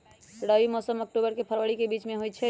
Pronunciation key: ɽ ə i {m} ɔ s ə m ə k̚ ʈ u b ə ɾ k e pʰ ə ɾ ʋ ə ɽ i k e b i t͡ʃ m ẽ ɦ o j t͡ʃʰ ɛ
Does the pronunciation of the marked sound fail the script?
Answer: no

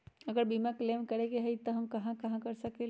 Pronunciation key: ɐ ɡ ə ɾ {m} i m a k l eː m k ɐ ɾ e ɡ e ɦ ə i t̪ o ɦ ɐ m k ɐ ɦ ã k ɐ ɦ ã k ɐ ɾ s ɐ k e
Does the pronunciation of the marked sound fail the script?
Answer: yes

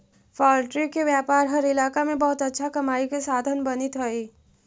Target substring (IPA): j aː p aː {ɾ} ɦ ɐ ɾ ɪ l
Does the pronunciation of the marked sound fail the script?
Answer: no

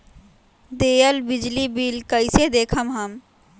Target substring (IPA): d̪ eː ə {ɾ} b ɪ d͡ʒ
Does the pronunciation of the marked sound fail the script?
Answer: yes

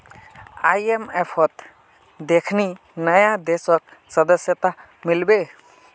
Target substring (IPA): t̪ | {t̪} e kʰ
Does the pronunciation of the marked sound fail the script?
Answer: yes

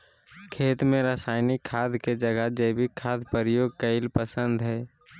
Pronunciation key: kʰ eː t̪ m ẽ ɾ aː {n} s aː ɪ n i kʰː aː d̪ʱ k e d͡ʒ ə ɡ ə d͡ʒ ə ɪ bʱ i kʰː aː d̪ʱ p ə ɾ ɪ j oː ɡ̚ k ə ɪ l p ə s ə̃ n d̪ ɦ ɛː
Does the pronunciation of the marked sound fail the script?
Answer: yes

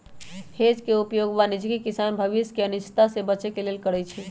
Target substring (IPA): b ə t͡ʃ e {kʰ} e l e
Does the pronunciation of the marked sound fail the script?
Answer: yes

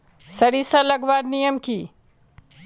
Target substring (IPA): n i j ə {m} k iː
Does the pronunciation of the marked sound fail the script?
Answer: no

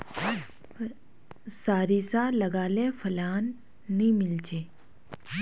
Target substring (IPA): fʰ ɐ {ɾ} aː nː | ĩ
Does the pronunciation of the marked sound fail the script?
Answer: yes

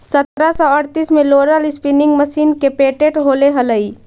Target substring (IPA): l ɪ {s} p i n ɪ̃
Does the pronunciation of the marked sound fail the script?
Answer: no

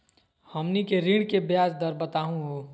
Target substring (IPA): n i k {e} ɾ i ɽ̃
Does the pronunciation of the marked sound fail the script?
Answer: no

